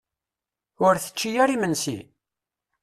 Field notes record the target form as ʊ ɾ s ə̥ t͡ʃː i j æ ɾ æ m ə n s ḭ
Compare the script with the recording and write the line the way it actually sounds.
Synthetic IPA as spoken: ʊ ɾ θ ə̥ t͡ʃː i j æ ɾ i m ə n s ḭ

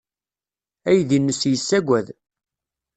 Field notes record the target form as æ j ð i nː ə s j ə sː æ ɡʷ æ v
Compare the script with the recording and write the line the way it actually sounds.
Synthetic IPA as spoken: æ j ð i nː ə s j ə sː æ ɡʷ æ ð

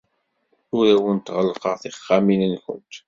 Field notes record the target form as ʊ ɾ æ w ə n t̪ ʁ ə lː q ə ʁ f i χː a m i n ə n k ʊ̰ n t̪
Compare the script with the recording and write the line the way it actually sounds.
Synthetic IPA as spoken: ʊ ɾ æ w ə n t̪ ʁ ə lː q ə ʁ θ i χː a m i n ə n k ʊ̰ n t̪

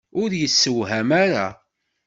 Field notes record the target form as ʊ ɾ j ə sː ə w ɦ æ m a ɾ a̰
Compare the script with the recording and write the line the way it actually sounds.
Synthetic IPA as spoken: ʊ ɾ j ə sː ə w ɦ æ m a ɾ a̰

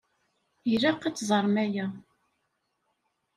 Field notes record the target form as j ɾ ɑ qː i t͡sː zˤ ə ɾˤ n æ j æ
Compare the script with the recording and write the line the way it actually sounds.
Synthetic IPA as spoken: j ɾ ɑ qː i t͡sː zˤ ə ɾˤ m æ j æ

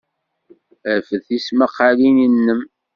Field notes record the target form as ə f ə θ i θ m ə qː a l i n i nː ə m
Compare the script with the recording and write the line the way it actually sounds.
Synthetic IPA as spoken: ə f ə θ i s m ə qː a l i n i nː ə m

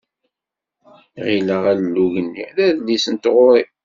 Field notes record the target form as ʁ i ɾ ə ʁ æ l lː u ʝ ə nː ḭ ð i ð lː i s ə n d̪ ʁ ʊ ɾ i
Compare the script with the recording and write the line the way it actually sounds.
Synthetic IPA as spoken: ʁ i l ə ʁ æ l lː u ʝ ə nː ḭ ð æ ð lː i s ə n t̪ ʁ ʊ ɾ i

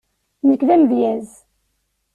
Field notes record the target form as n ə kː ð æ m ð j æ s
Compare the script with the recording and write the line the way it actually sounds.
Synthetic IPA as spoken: n ə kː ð æ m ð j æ z

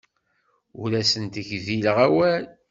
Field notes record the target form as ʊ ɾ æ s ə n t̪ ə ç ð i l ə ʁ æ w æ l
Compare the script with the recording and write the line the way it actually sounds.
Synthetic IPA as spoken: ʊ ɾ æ s ə n t̪ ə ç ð i l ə ʁ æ w æ l

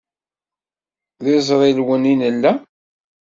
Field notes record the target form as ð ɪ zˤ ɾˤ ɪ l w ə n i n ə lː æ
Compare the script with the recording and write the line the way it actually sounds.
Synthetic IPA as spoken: ð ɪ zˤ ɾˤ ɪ l w ə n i n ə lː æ

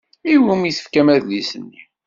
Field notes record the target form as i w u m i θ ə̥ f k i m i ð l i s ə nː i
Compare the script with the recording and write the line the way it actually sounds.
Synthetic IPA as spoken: i w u m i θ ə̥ f k æ m æ ð l i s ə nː i

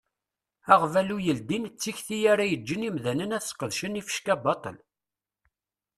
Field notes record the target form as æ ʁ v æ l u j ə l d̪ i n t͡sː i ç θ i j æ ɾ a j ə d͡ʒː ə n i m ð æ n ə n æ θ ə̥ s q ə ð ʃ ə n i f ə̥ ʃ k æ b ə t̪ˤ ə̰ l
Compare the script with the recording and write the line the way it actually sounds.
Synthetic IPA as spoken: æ ʁ v æ l u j ə l d̪ i n t͡sː i ç θ i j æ ɾ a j ə d͡ʒː ə n i m ð æ n ə n æ θ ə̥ s q ə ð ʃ ə n i f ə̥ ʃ k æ b ɑ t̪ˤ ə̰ l

